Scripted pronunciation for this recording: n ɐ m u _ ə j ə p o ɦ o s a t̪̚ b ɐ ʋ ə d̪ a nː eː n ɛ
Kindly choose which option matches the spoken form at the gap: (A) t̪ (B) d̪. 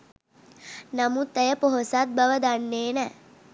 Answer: A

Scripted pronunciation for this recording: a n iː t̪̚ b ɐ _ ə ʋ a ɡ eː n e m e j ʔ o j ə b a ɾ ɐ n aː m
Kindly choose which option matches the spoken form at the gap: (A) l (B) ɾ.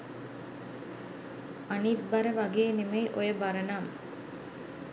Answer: B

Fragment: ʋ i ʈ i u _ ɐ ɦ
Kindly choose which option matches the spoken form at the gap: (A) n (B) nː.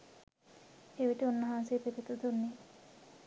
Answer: B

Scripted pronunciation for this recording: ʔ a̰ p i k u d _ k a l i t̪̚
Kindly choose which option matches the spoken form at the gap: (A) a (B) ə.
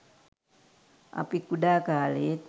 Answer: A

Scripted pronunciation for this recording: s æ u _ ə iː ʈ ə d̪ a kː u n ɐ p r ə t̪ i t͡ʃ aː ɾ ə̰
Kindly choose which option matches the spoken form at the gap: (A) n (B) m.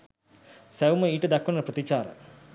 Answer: B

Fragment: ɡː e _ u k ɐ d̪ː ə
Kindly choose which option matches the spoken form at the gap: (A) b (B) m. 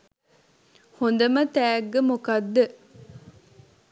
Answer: B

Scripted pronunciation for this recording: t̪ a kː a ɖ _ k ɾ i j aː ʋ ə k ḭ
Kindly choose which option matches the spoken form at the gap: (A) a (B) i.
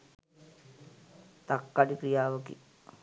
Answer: B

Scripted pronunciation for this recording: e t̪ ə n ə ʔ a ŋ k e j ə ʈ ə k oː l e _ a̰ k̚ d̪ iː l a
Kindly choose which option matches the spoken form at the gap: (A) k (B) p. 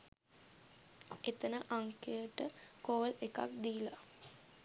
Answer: A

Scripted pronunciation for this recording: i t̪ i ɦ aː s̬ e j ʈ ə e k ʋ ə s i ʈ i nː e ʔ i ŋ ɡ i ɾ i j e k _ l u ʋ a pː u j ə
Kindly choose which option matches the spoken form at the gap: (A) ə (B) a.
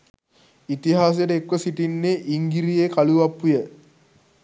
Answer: B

